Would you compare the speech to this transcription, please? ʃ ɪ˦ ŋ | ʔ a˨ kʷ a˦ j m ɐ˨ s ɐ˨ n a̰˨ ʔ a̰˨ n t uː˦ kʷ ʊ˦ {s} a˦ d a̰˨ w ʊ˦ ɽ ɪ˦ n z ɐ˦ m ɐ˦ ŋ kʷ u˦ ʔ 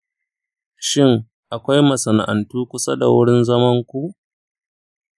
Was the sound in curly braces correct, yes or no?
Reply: yes